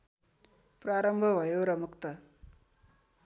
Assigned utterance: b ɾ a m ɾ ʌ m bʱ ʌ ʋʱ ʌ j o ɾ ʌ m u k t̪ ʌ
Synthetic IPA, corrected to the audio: p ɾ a ɾ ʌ m bʱ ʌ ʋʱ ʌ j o ɾ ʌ m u k t̪ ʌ

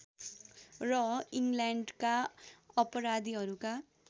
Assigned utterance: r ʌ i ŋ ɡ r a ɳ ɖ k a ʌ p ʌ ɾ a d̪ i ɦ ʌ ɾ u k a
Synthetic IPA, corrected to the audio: r ʌ i ŋ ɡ l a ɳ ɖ k a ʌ p ʌ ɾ a d̪ i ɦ ʌ ɾ u k a

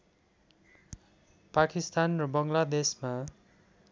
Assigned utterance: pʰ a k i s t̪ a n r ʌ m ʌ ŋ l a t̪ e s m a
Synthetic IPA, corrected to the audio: p a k i s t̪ a n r ʌ b ʌ ŋ l a d̪ e s m a

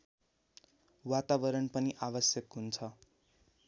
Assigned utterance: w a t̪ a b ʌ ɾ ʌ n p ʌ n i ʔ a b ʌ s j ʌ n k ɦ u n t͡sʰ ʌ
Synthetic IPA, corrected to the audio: w a t̪ a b ʌ ɾ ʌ n p ʌ n i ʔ a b ʌ s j ʌ k ɦ u n t͡sʰ ʌ

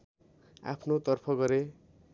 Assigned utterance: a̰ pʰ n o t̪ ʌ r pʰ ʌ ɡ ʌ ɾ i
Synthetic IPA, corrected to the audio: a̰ pʰ n o t̪ ʌ r pʰ ʌ ɡ ʌ ɾ e

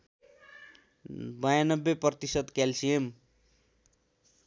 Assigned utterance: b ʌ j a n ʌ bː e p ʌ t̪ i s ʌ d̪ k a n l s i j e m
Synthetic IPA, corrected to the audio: b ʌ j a n ʌ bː e p ʌ t̪ i s ʌ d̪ k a l s i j e m

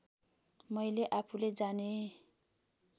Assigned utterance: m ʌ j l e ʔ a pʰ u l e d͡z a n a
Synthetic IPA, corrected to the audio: m ʌ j l e ʔ a pʰ u l e d͡z a n e

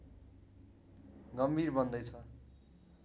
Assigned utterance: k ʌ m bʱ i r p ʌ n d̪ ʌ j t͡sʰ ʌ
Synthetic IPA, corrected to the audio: ɡ ʌ m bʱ i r b ʌ n d̪ ʌ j t͡sʰ ʌ

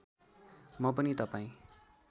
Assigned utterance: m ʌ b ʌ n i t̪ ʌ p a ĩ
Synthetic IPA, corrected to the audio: m ʌ p ʌ n i t̪ ʌ p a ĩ

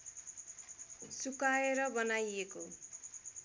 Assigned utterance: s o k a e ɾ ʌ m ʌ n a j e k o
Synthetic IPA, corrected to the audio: s u k a e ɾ ʌ b ʌ n a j e k o

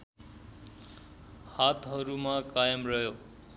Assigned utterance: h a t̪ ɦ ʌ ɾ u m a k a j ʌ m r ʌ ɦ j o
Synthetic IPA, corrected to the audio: h a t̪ ɦ ʌ ɾ u m a k a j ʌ m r ʌ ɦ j o

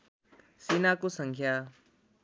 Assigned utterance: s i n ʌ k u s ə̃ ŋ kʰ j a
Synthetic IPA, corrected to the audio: s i n a k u s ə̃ ŋ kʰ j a

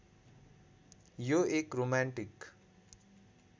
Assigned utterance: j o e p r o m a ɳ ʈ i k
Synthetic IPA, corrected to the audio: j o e k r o m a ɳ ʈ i k

